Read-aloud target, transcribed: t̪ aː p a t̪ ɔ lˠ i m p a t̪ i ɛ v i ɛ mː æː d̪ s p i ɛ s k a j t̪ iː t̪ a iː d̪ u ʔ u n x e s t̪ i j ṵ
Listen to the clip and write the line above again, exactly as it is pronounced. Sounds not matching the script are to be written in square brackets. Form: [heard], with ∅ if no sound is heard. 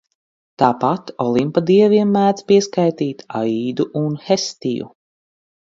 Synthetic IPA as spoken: t̪ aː p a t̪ ɔ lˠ i m p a [d̪] i ɛ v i ɛ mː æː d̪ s p i ɛ s k a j t̪ iː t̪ a iː d̪ u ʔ u n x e s t̪ i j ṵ